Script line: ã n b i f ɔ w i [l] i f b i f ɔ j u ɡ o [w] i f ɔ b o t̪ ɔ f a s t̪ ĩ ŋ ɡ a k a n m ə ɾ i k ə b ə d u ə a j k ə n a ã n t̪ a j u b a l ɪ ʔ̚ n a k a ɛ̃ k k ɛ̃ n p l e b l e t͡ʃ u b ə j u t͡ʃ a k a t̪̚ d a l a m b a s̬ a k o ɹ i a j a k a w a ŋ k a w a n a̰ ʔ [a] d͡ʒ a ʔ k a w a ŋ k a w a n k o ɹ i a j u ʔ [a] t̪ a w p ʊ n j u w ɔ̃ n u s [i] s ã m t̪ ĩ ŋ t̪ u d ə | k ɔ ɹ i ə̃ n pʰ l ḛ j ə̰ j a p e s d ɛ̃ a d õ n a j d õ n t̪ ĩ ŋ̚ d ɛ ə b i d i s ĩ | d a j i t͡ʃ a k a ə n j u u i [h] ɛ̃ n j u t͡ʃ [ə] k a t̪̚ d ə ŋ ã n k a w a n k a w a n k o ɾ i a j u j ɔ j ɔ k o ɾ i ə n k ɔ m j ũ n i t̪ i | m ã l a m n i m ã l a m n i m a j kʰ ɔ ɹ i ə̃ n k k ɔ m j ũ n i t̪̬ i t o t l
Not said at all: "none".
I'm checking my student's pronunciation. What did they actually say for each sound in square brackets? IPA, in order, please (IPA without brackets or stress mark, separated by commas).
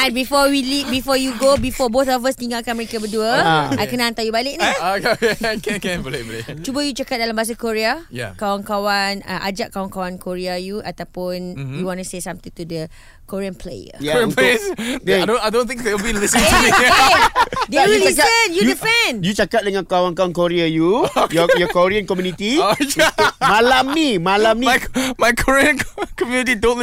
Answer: l, b, a, a, e, f, a